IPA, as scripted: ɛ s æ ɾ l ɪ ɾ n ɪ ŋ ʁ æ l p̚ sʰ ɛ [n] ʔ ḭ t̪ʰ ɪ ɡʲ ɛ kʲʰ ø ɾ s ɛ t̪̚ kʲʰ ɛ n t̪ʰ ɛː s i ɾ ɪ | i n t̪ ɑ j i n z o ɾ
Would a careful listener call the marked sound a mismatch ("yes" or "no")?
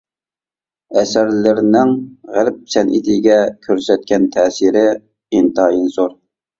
no